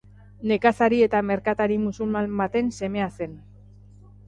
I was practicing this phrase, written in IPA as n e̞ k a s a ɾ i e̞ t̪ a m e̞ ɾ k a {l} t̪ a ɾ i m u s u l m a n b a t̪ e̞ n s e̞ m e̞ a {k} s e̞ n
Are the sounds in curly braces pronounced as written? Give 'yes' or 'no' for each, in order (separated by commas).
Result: no, no